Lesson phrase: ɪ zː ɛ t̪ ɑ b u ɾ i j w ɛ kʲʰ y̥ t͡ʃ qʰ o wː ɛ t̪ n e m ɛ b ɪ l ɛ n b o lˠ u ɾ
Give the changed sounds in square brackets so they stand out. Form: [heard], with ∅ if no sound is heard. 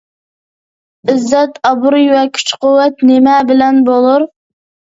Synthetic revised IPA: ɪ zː ɛ t̪ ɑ b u ɾ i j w ɛ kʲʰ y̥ t͡ʃ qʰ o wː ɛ t̪ n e m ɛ b ɪ l ɛ n b o lˠ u ɾ